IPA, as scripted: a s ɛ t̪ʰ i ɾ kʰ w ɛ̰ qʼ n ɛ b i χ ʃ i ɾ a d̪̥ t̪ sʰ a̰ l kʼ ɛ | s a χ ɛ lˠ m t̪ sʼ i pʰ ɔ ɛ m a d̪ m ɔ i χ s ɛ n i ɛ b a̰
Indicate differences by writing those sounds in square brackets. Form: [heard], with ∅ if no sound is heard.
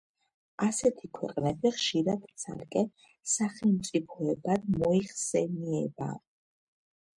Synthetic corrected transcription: a s ɛ t̪ʰ i [∅] kʰ w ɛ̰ qʼ n ɛ b i χ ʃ i ɾ a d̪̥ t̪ sʰ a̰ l kʼ ɛ | s a χ ɛ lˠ m t̪ sʼ i pʰ ɔ ɛ [b] a d̪ m ɔ i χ s ɛ n i ɛ b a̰

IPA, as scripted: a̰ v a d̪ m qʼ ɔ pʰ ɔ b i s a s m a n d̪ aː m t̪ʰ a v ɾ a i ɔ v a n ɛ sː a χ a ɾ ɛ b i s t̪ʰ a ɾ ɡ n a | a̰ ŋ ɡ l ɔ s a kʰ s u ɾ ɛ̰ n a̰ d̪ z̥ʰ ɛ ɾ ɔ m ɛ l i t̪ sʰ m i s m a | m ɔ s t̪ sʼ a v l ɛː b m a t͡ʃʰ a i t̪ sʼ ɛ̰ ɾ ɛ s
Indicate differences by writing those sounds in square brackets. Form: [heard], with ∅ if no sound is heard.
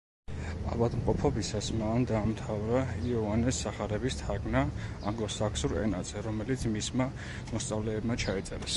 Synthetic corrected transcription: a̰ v a d̪ m qʼ ɔ pʰ ɔ b i s a s m a n d̪ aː m t̪ʰ a v ɾ a i ɔ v a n ɛ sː a χ a ɾ ɛ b i s t̪ʰ a ɾ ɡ n a | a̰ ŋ ɡ l ɔ s a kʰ s u ɾ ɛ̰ n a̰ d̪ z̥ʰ ɛ ɾ ɔ m ɛ l i t̪ sʰ m i s m a | m ɔ s t̪ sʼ a v l ɛː b m a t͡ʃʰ a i t̪ sʼ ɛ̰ ɾ ɛ s

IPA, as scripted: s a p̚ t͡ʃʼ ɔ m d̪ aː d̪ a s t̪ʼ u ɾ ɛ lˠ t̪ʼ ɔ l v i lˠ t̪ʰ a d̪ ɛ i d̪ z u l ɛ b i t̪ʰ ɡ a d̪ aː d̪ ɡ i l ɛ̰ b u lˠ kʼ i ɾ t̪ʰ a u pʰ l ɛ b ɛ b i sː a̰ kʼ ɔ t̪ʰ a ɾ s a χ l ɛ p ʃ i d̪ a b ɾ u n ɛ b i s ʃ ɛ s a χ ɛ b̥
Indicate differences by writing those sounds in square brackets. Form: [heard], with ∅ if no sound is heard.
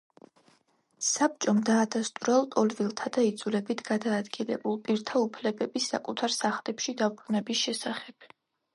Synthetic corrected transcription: s a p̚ t͡ʃʼ ɔ m d̪ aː d̪ a s t̪ʼ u ɾ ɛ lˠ t̪ʼ ɔ l v i lˠ t̪ʰ a d̪ [a] i d̪ z u l ɛ b i t̪ʰ ɡ a d̪ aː d̪ ɡ i l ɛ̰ b u lˠ [pʼ] i ɾ t̪ʰ a u pʰ l ɛ b ɛ b i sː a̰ kʼ [u] t̪ʰ a ɾ s a χ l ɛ p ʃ i d̪ a b ɾ u n ɛ b i s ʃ ɛ s a χ ɛ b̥

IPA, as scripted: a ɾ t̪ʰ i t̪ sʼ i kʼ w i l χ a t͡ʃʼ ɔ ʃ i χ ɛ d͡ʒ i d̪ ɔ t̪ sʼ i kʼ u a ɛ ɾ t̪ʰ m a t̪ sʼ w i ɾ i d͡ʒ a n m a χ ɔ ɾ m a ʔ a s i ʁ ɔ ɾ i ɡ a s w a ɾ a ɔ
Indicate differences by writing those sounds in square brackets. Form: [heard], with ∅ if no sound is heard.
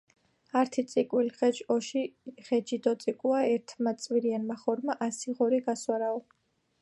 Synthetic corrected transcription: a ɾ t̪ʰ i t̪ sʼ i kʼ w i l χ [ɛ] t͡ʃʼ ɔ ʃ i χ ɛ d͡ʒ i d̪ ɔ t̪ sʼ i kʼ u a ɛ ɾ t̪ʰ m a t̪ sʼ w i ɾ i [∅] a n m a χ ɔ ɾ m a ʔ a s i ʁ ɔ ɾ i ɡ a s w a ɾ a ɔ

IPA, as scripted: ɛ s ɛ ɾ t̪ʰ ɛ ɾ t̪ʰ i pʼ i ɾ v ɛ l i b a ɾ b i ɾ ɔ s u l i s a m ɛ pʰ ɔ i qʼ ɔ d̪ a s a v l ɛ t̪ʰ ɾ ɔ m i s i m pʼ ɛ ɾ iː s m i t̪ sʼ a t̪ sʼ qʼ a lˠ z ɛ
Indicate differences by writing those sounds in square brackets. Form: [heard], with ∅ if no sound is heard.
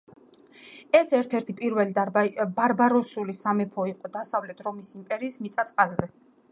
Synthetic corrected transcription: ɛ s ɛ ɾ t̪ʰ ɛ ɾ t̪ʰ i pʼ i ɾ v ɛ l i b a ɾ b [a] ɾ ɔ s u l i s a m ɛ pʰ ɔ i qʼ ɔ d̪ a s a v l ɛ t̪ʰ ɾ ɔ m i s i m pʼ ɛ ɾ iː s m i t̪ sʼ a t̪ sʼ qʼ a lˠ z ɛ

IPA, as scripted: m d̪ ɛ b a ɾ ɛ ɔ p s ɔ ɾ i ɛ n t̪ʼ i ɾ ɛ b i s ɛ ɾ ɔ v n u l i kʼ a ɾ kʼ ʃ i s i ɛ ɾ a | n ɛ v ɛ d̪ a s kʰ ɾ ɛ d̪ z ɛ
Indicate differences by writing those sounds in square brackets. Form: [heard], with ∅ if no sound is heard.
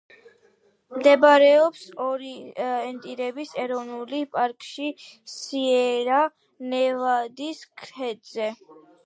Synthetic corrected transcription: m d̪ ɛ b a ɾ ɛ ɔ p s ɔ ɾ i ɛ n t̪ʼ i ɾ ɛ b i s ɛ ɾ ɔ v n u l i [pʼ] a ɾ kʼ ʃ i s i ɛ ɾ a | n ɛ v [a] d̪ [i] s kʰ ɾ ɛ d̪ z ɛ

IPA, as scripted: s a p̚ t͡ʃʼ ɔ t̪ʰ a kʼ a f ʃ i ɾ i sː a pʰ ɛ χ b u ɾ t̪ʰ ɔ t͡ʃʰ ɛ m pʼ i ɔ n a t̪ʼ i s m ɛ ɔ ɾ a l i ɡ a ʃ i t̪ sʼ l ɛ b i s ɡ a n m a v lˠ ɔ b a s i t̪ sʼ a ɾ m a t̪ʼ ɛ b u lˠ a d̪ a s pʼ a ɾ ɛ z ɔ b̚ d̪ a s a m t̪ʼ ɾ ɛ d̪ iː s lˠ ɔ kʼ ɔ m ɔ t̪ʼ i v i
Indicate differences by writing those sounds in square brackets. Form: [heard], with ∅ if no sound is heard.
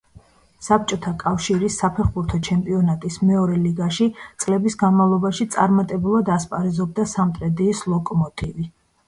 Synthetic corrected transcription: s a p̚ t͡ʃʼ ɔ t̪ʰ a kʼ a f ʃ i ɾ i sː a pʰ ɛ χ b u ɾ t̪ʰ ɔ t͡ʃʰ ɛ m pʼ i ɔ n a t̪ʼ i s m ɛ ɔ ɾ [ɛ] l i ɡ a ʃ i t̪ sʼ l ɛ b i s ɡ a n m a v lˠ ɔ b a [ʃ] i t̪ sʼ a ɾ m a t̪ʼ ɛ b u lˠ a d̪ a s pʼ a ɾ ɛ z ɔ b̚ d̪ a s a m t̪ʼ ɾ ɛ d̪ iː s lˠ ɔ kʼ ɔ m ɔ t̪ʼ i v i

